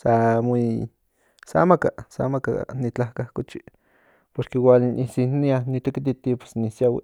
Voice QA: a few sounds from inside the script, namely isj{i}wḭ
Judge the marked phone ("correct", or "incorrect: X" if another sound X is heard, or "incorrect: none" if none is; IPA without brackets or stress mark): incorrect: a